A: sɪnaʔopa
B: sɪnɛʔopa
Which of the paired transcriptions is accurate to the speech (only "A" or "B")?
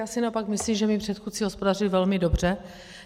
A